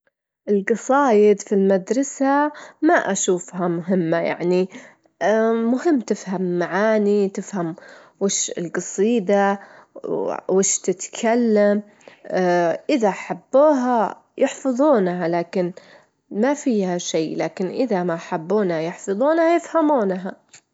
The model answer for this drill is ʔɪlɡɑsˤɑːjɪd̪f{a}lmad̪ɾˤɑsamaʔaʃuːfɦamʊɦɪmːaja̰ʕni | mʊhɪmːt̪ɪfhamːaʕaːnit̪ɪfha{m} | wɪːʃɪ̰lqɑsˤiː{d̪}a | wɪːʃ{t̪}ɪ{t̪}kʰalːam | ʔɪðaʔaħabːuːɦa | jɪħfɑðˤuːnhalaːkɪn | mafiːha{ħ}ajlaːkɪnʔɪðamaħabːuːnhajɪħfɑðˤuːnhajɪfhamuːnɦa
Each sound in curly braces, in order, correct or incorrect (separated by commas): incorrect, correct, correct, correct, correct, incorrect